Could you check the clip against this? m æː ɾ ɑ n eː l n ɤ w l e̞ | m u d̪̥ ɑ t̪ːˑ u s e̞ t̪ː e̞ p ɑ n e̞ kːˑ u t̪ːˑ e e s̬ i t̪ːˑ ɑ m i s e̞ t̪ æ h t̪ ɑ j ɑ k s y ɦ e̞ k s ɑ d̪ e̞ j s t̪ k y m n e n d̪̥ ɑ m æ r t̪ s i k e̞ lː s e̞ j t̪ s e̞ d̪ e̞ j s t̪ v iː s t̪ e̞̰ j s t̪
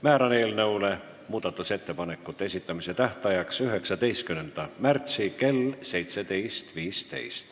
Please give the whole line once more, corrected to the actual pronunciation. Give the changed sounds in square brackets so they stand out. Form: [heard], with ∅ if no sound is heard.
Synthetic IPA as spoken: m æː ɾ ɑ n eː l n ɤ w l e̞ | m [uː] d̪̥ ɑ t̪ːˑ u s e̞ t̪ː e̞ p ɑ n e̞ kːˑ u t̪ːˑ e e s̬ i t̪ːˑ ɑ m i s e̞ t̪ æ h t̪ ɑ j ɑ k s y ɦ e̞ k s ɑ d̪ e̞ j s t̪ k y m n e n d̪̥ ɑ m æ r t̪ s i k e̞ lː s e̞ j t̪ s e̞ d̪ e̞ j s t̪ v iː s t̪ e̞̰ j s t̪